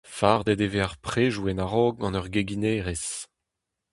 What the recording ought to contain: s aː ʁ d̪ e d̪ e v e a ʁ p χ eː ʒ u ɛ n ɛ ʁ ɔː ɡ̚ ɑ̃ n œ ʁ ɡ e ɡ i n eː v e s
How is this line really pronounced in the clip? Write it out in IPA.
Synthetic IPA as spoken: f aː ʁ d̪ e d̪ e v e a ʁ p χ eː ʒ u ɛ n a ʁ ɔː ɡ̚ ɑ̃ n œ ʁ ɡ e ɡ i n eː ʁ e s